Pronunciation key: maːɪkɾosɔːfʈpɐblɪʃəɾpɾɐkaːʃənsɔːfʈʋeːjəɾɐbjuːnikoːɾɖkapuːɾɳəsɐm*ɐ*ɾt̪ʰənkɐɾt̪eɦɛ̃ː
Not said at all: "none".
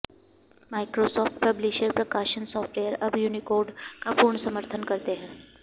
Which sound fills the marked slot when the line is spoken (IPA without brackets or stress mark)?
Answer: ə